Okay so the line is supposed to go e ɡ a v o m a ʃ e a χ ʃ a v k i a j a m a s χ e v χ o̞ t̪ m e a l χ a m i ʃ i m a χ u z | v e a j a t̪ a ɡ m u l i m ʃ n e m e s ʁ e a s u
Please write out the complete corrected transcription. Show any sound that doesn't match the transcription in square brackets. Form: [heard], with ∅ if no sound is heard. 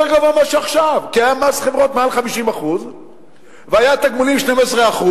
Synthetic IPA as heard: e ɡ a v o m a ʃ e a χ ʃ a v k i a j a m a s χ e v [ʁ] o̞ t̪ m e a l χ a m i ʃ i m a χ u z | v e a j a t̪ a ɡ m u l i m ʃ n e m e s ʁ e a [χ] u

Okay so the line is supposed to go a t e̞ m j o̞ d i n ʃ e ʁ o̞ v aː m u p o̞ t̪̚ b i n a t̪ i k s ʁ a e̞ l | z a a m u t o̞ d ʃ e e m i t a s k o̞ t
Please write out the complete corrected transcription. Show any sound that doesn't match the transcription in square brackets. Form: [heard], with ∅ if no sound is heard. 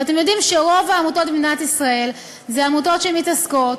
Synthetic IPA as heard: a t e̞ m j o̞ d i [m] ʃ e ʁ o̞ v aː m u [t] o̞ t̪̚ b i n a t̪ i [∅] s ʁ a e̞ l | z [e] a m u t o̞ [t] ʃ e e m i t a s k o̞ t

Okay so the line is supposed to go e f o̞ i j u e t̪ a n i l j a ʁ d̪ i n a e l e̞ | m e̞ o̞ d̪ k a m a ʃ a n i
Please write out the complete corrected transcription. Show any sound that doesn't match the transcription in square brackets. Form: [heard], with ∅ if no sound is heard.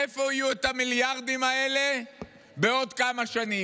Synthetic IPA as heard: e f o̞ i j u e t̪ a [m] i l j a ʁ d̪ i [m] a e l e̞ | [b] e̞ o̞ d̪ k a m a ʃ a n i

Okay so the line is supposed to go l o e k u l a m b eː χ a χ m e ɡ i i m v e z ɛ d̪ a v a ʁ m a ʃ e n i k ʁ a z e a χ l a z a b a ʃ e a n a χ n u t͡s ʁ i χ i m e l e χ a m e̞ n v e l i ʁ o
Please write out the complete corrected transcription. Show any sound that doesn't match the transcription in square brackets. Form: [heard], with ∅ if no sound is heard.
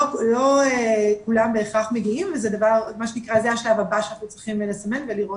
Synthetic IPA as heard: l o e k u l a m b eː χ a χ m e ɡ i i m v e z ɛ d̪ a v a ʁ m a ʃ e n i k ʁ a z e a [ʃ] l a [v] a b a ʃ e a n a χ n u t͡s ʁ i χ i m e l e [s] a m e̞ n v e l i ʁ o

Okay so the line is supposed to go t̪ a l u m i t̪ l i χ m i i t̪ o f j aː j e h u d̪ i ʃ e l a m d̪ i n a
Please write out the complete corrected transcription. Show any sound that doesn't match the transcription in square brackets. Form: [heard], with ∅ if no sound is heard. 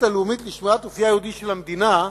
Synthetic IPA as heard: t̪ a l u m i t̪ l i [ʃ] m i [a] t̪ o f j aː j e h u d̪ i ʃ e l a m d̪ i n a

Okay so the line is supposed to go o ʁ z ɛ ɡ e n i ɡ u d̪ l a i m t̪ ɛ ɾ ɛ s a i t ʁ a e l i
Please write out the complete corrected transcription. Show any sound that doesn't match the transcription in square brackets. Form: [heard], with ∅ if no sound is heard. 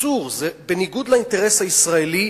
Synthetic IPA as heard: [u] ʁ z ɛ [b] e n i ɡ u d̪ l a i [n] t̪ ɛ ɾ ɛ s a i [s] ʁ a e l i

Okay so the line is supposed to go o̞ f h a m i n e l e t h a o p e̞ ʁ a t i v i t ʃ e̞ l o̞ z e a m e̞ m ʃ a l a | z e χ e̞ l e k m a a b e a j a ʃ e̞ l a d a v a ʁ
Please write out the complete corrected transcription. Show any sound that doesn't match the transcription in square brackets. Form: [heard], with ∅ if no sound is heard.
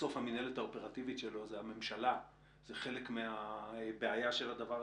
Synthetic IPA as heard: o̞ f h a m i n e l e t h a o p e̞ ʁ a t i v i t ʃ e̞ l o̞ z e a m e̞ m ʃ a l a | z e χ e̞ l e k m [e] a b e a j a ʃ e̞ l a d a v a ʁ

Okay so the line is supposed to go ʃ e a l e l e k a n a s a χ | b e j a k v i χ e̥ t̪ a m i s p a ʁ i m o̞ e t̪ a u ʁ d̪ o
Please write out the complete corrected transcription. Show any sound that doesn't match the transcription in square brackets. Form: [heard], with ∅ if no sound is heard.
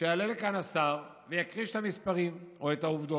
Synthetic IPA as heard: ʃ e a l e l e k a n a s a [ʁ] | [v] e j a k [ʁ] i [ʃ] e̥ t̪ a m i s p a ʁ i m o̞ e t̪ a u [v] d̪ o

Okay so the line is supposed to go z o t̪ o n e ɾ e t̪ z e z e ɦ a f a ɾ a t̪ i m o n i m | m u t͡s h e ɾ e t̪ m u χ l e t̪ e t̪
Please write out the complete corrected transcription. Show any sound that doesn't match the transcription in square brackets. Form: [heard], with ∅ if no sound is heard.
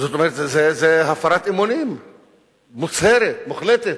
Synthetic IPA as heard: z o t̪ o [m] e ɾ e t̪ z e z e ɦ a f a ɾ a t̪ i m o n i m | m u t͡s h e ɾ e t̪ m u χ l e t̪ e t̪

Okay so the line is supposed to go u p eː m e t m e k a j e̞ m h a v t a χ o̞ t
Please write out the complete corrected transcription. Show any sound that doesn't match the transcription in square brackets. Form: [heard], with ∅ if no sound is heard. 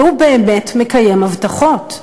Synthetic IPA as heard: u [b] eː m e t m e k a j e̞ m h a v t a χ o̞ t

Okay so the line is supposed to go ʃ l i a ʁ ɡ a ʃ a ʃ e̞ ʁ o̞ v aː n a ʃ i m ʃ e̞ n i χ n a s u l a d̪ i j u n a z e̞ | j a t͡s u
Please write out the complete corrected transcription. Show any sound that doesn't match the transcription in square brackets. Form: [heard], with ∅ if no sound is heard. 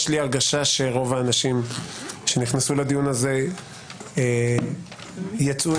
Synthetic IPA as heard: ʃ l i a ʁ ɡ a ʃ a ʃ e̞ ʁ o̞ v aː n a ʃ i m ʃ e̞ n i χ n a s u l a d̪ i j u n a z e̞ | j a t͡s u

